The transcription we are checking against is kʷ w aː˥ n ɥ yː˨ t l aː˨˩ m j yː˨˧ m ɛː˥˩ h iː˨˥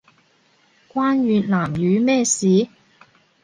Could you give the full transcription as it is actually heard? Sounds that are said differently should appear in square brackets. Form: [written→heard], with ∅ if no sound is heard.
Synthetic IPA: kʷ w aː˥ n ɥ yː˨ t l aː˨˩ m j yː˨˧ m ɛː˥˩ [h→s] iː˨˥